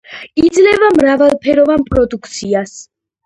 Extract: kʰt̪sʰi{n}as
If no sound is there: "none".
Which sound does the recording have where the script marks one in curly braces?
none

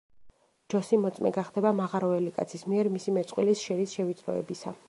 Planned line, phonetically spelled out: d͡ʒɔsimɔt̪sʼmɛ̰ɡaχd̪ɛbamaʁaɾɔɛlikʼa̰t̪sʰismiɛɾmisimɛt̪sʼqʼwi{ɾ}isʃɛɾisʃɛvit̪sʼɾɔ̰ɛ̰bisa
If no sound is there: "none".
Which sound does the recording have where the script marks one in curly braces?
l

